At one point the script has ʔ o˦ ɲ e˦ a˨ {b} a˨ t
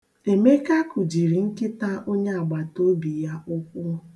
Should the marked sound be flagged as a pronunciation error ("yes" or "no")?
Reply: yes